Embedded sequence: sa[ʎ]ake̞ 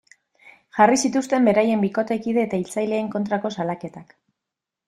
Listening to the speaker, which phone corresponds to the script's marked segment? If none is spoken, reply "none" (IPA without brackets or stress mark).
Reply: l